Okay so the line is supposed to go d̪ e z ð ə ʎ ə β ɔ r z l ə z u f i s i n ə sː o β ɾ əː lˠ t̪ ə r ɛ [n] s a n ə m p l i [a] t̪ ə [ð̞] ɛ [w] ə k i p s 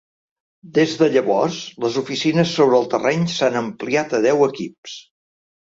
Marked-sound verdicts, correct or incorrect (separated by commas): incorrect, correct, correct, correct